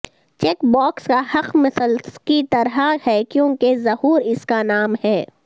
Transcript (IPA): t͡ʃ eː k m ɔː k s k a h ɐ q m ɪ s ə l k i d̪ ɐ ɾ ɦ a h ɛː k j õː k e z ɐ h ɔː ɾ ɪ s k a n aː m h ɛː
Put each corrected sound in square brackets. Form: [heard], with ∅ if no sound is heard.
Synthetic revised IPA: t͡ʃ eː k [b] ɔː k s k a h ɐ q m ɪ s ə l k i [t̪] ɐ ɾ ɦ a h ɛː k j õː k e z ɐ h [uː] ɾ ɪ s k a n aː m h ɛː